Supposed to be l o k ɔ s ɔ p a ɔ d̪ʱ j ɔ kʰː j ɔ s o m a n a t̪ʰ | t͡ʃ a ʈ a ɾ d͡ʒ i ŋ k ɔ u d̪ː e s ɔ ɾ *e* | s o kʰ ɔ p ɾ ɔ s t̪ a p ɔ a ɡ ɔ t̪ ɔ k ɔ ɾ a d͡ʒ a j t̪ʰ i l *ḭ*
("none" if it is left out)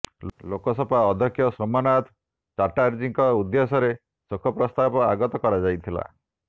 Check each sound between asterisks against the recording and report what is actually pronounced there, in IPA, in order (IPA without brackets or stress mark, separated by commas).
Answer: e, a̰